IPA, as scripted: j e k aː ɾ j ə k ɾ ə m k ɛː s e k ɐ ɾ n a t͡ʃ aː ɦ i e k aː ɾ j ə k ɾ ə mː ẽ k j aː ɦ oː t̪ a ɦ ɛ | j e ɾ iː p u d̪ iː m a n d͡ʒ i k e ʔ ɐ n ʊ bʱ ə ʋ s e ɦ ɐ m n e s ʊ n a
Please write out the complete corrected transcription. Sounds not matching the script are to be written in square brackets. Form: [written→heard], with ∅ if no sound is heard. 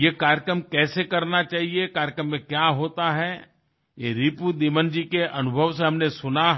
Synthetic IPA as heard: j e k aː ɾ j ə k ɾ ə m k ɛː s e k ɐ ɾ n a t͡ʃ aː ɦ i e k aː ɾ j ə k ɾ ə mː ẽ k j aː ɦ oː t̪ a ɦ ɛ | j e ɾ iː p u d̪ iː m [a→ə] n d͡ʒ i k e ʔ ɐ n ʊ bʱ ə ʋ s e ɦ ɐ m n e s ʊ n a